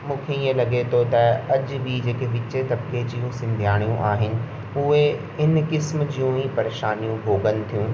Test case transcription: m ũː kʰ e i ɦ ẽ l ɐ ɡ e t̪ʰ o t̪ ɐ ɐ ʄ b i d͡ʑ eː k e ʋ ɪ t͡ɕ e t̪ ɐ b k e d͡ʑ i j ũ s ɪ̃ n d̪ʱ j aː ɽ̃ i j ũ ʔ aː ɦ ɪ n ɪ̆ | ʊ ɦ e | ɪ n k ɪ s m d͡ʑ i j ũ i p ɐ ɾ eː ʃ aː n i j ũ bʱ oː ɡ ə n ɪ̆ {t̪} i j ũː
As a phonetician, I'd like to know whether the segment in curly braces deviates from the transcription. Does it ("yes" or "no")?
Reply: yes